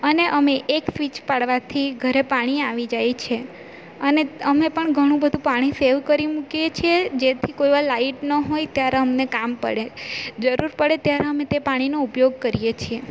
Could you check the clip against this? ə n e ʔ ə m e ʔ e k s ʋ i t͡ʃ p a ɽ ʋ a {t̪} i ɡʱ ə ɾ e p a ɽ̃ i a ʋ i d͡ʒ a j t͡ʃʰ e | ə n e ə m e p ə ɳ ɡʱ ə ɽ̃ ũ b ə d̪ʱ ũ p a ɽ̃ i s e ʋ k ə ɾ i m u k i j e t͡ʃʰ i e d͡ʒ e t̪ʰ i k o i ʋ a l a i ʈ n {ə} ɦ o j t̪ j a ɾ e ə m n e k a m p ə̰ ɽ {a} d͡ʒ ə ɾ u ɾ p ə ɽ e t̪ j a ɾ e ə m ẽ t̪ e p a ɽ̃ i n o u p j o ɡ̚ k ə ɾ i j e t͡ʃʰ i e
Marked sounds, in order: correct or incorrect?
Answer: incorrect, correct, incorrect

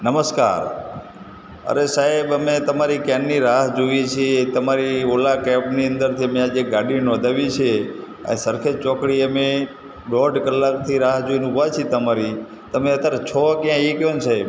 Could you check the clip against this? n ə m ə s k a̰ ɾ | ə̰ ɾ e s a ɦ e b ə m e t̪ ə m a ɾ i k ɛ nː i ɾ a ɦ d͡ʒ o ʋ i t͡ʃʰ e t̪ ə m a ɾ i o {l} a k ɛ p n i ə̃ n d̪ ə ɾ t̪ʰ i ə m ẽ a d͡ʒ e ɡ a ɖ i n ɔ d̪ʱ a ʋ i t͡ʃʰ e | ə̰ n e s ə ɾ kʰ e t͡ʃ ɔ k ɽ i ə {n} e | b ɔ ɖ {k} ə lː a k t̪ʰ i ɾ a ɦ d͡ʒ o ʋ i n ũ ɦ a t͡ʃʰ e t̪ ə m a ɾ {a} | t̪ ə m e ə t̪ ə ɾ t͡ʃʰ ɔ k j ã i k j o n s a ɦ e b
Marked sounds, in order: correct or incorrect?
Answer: correct, incorrect, correct, incorrect

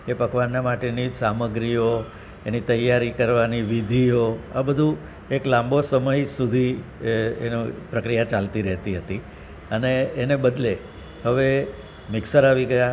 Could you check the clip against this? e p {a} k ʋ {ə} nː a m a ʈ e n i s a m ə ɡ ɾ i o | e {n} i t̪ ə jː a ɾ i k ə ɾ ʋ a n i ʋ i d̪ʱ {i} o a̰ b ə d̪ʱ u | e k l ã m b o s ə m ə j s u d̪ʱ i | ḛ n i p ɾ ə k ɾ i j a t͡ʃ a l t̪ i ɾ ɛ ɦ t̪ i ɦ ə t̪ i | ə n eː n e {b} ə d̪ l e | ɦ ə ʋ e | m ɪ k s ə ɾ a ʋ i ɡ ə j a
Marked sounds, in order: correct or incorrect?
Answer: incorrect, incorrect, correct, correct, correct

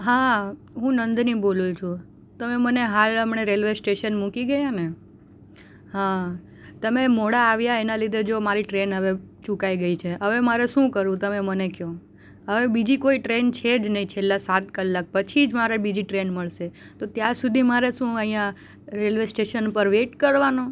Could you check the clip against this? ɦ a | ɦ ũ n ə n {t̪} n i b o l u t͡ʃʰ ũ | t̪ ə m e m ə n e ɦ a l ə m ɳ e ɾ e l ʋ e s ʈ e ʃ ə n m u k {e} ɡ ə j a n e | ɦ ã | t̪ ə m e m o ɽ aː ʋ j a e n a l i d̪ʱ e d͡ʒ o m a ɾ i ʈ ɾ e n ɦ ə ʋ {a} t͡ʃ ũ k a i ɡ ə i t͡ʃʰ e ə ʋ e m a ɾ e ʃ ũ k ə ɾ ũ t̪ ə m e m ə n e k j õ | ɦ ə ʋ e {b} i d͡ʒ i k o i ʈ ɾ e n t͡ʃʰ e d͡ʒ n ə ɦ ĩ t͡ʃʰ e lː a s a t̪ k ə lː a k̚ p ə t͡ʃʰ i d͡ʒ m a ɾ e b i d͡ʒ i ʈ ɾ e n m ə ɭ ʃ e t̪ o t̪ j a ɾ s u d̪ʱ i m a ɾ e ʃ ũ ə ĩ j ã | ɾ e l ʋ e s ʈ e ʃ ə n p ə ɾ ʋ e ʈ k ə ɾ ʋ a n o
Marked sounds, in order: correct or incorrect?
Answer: incorrect, incorrect, incorrect, correct

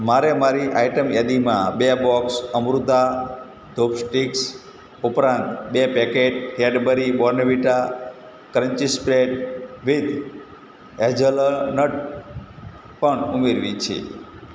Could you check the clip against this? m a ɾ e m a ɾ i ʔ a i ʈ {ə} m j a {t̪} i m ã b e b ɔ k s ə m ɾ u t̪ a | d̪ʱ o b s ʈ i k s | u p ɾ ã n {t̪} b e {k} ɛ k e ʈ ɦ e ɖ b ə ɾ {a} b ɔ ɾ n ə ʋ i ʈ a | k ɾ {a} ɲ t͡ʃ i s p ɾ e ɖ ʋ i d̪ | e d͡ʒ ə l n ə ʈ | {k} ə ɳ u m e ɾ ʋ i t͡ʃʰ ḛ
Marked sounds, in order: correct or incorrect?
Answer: correct, incorrect, correct, incorrect, incorrect, incorrect, incorrect

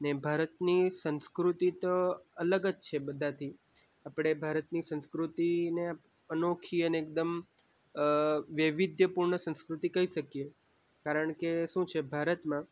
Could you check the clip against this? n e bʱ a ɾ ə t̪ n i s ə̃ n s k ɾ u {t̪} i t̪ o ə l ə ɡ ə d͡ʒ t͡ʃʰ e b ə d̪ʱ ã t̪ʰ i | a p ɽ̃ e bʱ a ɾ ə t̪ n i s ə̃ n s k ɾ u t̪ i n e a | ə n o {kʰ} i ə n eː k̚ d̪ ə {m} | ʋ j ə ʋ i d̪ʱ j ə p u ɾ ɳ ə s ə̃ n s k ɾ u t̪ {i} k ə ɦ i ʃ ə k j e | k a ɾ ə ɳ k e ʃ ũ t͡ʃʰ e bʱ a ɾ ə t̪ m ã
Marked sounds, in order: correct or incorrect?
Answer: correct, correct, correct, correct

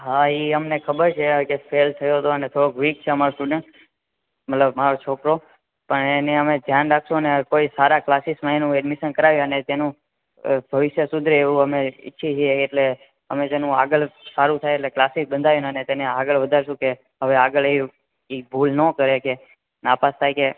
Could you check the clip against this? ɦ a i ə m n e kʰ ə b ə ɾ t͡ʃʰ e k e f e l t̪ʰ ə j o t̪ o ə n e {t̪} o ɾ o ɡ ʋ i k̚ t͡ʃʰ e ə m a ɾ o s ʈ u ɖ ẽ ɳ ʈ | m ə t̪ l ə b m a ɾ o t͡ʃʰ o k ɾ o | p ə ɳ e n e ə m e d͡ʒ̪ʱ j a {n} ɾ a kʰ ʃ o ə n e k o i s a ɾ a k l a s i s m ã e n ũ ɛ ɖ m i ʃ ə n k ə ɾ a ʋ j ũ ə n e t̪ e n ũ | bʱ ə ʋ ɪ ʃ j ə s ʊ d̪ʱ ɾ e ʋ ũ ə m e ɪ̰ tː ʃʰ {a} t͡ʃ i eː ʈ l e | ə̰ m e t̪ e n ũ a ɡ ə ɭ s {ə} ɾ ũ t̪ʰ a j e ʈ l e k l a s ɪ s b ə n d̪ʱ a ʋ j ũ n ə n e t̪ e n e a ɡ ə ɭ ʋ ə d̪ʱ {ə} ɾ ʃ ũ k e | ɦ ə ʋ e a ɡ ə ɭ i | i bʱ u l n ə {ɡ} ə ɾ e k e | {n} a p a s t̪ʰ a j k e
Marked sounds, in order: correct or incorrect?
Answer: incorrect, correct, incorrect, incorrect, incorrect, incorrect, correct

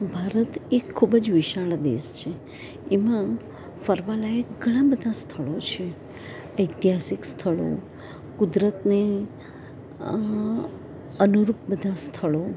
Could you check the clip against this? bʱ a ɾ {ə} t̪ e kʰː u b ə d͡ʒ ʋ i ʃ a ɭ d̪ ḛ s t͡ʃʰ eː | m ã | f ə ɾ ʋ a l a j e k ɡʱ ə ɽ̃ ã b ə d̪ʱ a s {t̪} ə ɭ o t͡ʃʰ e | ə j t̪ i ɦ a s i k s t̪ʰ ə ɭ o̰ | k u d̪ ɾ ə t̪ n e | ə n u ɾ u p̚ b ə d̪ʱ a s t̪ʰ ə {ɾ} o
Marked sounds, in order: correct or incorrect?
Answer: correct, incorrect, incorrect

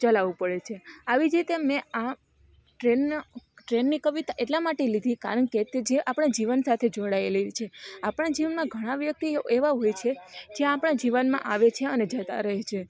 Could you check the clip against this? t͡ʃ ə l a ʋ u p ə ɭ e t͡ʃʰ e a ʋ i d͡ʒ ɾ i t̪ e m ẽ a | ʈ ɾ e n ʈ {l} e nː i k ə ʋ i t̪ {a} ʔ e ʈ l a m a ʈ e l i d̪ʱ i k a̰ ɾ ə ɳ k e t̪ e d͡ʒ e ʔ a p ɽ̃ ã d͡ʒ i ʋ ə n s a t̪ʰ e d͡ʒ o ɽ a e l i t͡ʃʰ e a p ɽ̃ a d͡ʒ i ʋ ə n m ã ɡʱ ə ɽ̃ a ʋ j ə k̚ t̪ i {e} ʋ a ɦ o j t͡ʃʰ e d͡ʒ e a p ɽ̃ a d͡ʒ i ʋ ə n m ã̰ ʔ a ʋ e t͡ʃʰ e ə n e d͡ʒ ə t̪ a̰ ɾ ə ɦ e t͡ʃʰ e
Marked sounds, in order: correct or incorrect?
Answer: incorrect, correct, correct

